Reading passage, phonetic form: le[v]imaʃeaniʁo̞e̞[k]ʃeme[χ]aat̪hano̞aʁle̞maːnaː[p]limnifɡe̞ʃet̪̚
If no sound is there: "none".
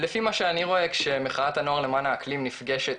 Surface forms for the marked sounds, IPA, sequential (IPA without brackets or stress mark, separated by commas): f, k, χ, k